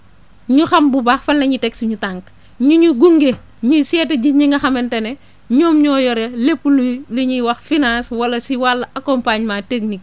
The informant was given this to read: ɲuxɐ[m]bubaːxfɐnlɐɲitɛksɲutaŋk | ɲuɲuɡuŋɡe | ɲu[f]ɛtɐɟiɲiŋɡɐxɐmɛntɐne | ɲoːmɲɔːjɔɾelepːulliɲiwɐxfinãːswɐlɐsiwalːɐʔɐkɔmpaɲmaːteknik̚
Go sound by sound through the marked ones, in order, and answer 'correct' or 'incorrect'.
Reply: correct, incorrect: s

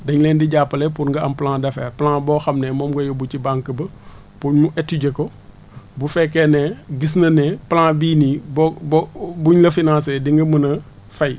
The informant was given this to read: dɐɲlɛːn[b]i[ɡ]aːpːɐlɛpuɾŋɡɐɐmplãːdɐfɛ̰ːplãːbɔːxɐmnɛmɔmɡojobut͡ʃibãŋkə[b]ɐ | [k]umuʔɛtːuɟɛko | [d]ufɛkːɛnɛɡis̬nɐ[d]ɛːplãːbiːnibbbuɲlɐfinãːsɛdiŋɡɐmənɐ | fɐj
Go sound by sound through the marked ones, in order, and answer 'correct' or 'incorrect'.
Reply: incorrect: d, incorrect: ɟ, correct, incorrect: p, incorrect: b, incorrect: n

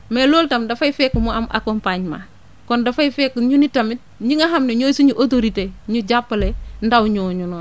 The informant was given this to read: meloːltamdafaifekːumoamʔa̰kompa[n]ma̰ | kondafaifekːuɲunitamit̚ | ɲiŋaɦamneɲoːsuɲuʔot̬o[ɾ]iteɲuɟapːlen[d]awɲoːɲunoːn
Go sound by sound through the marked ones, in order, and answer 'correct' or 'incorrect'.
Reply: incorrect: ɲ, correct, correct

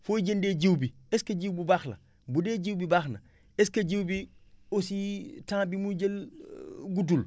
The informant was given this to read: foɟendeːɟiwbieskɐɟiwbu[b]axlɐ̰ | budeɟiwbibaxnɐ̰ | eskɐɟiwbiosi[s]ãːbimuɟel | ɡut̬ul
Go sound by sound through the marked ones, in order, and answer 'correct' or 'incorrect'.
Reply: correct, incorrect: t

